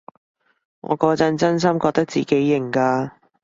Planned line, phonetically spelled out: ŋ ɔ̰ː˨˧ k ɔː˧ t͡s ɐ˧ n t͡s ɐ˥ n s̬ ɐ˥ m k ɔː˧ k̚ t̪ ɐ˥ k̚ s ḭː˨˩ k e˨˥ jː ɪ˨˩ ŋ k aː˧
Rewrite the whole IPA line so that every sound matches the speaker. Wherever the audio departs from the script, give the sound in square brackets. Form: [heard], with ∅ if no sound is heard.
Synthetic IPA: ŋ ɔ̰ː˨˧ k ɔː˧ t͡s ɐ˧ n t͡s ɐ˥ n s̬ ɐ˥ m k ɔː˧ k̚ t̪ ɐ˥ k̚ [t͡s] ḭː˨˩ k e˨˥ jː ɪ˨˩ ŋ k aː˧